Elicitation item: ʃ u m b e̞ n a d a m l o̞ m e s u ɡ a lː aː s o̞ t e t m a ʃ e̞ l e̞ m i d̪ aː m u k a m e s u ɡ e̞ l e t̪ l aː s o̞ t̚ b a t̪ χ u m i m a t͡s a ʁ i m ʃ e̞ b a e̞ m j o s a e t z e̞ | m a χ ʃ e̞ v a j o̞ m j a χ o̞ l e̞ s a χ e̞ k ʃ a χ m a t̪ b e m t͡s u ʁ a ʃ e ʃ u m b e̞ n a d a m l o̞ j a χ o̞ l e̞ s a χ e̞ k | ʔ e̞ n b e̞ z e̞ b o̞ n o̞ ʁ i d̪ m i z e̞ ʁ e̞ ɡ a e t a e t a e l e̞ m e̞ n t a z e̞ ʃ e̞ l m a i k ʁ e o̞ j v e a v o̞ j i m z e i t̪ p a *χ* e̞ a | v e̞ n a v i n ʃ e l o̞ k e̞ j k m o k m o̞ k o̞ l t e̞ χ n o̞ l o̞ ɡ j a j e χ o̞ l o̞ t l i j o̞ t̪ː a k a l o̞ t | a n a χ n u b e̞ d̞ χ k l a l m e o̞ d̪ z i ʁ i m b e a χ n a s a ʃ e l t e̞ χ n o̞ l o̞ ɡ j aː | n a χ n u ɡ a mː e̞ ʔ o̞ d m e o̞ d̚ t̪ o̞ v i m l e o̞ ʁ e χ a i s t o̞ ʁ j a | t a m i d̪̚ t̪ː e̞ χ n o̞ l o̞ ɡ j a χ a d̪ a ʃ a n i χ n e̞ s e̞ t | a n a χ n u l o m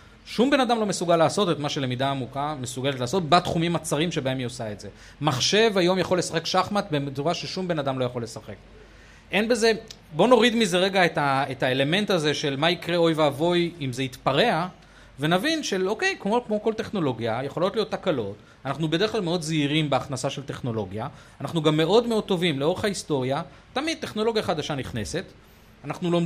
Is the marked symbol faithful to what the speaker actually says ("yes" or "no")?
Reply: no